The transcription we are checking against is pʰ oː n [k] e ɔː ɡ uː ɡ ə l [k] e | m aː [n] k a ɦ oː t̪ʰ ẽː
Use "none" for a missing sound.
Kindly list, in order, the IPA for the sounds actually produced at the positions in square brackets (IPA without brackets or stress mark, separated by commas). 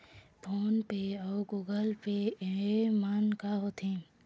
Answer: p, p, n